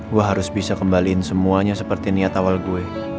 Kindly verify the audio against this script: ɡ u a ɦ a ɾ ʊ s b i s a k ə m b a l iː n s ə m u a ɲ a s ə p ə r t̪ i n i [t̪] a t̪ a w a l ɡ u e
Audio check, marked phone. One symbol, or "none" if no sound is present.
none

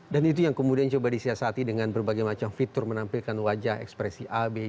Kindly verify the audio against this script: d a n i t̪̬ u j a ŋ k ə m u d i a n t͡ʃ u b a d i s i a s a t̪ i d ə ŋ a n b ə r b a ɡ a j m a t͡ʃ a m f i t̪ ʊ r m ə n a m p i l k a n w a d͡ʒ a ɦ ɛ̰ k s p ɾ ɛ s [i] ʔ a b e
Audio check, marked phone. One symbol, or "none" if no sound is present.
i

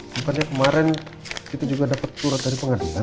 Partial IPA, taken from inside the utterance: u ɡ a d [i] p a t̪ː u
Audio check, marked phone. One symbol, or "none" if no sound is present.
a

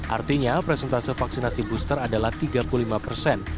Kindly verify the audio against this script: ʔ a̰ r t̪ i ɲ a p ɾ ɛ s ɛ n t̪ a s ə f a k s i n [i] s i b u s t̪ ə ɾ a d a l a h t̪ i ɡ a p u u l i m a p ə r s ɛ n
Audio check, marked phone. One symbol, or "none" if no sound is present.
a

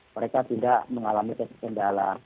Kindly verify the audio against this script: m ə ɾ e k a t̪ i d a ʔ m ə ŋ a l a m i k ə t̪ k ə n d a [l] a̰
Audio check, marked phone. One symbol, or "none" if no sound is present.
l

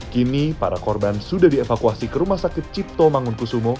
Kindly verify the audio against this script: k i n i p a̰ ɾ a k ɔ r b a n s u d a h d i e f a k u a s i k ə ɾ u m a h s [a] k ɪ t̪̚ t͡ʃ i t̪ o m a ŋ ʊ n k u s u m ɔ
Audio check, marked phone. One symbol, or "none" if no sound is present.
a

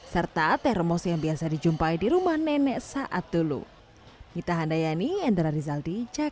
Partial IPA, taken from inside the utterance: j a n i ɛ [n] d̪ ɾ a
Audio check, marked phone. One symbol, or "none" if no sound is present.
n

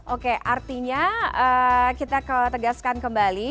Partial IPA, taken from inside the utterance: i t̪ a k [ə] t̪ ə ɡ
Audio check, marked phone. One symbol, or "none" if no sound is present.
ə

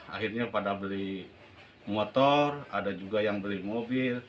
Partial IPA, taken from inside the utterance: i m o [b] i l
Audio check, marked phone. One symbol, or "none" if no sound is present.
b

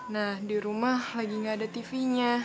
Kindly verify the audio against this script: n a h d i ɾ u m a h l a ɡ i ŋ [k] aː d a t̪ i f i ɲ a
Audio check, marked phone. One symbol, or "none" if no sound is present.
ɡ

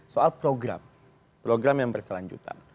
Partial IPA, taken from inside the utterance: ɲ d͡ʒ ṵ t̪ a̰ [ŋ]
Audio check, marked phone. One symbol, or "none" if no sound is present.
n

